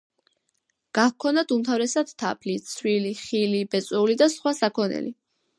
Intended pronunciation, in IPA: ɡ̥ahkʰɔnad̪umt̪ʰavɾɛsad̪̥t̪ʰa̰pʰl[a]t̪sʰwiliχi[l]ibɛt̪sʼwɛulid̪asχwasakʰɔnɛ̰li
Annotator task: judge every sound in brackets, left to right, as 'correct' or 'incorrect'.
incorrect: i, correct

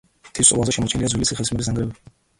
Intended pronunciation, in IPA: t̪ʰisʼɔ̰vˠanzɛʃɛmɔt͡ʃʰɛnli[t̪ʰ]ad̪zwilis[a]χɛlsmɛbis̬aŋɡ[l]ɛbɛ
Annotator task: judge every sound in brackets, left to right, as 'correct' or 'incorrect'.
incorrect: none, incorrect: i, incorrect: ɾ

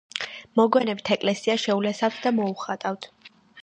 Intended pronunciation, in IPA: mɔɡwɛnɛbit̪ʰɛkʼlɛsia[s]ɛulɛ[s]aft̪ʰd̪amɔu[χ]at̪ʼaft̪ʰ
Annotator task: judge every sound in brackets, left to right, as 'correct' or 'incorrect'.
incorrect: ʃ, correct, correct

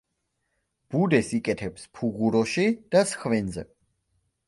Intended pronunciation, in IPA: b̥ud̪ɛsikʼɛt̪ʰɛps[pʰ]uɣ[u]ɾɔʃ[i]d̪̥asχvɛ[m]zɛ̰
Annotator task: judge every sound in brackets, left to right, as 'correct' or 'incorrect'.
correct, correct, correct, incorrect: n

